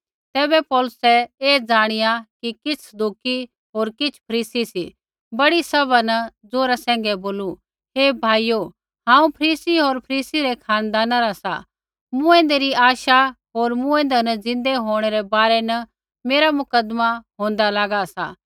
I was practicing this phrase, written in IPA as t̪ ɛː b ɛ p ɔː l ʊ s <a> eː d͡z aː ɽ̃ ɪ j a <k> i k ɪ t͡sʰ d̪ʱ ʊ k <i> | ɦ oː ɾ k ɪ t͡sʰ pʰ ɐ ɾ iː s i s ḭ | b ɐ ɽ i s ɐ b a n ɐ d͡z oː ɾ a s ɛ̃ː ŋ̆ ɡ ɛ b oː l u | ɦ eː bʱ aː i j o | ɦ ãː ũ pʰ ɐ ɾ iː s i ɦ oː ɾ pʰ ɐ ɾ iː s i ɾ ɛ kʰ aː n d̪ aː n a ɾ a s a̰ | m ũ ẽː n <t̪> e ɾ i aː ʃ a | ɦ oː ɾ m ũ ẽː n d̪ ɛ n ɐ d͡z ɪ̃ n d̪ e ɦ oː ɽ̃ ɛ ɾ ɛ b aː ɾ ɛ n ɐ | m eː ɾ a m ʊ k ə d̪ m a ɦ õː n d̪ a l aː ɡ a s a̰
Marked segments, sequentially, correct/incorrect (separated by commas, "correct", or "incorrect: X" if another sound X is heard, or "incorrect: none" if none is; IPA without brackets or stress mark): incorrect: ɛ, correct, correct, incorrect: d̪